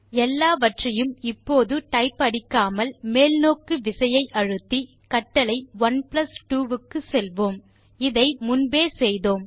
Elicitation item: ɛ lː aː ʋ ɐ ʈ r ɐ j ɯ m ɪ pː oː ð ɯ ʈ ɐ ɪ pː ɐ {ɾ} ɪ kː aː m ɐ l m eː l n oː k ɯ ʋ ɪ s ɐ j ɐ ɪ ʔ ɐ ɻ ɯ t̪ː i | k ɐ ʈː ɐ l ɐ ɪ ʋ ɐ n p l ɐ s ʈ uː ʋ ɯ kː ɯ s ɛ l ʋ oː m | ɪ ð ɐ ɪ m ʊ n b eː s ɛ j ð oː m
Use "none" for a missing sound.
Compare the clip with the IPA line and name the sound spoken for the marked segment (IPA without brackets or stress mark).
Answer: ɽ